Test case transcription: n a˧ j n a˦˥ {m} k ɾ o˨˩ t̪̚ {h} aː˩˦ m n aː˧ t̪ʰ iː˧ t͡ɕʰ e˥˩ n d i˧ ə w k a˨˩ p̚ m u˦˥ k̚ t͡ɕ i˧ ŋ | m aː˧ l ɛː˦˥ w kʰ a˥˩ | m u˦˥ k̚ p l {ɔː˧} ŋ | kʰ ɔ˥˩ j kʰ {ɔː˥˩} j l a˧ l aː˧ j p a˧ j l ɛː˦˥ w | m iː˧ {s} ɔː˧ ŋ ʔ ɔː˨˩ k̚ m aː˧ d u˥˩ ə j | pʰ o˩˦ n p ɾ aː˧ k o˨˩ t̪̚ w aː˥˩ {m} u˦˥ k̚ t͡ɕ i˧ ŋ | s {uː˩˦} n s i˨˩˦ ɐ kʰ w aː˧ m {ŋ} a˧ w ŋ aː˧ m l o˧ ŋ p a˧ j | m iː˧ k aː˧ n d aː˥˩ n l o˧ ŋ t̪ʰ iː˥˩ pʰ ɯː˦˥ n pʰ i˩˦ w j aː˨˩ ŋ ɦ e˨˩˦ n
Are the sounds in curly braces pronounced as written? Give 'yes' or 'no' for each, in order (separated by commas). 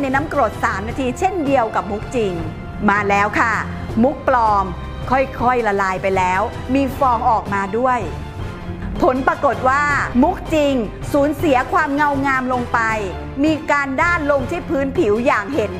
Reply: yes, no, yes, no, no, yes, yes, yes